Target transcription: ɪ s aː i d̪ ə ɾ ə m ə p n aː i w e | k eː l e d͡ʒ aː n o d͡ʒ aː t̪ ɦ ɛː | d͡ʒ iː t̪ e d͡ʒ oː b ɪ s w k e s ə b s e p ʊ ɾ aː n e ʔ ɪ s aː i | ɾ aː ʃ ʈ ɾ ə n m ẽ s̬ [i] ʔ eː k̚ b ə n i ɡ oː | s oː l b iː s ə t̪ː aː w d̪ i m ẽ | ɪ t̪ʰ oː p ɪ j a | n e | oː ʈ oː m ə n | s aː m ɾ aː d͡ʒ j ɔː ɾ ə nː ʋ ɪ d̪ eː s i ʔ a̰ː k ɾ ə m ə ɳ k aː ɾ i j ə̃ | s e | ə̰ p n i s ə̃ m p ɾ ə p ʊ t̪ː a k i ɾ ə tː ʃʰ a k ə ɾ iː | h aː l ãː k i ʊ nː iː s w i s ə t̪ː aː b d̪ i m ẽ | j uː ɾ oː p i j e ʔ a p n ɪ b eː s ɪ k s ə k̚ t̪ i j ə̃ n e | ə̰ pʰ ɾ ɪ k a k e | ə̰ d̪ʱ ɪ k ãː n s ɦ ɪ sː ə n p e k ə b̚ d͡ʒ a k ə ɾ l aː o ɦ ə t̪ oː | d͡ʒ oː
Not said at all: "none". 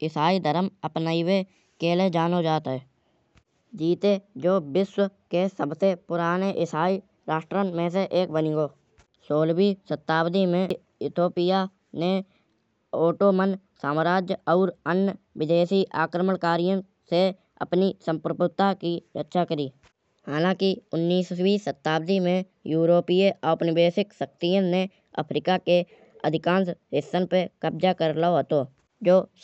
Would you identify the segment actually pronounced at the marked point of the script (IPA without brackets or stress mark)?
e